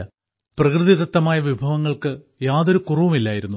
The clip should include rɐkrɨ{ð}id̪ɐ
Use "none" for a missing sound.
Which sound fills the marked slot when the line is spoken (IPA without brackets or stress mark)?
ð